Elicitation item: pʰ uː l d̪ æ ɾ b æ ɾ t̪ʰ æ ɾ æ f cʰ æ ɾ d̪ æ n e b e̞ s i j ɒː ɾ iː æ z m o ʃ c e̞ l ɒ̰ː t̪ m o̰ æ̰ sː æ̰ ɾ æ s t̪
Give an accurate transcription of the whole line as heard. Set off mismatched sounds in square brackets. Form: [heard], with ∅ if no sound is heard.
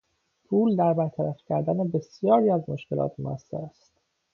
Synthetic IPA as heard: pʰ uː l d̪ æ ɾ b æ ɾ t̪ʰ æ ɾ æ f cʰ æ ɾ d̪ æ n e b e̞ s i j ɒː ɾ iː æ z m o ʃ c e̞ l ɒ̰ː t̪ m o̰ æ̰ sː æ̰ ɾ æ s t̪